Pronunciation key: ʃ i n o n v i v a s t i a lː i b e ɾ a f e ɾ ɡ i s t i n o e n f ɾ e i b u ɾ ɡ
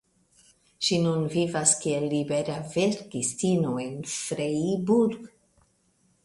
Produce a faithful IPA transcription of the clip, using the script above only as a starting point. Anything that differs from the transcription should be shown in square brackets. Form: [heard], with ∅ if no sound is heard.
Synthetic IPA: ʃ i n [u] n v i v a s [k] i [e] lː i b e ɾ a [v] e ɾ ɡ i s t i n o e n f ɾ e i b u ɾ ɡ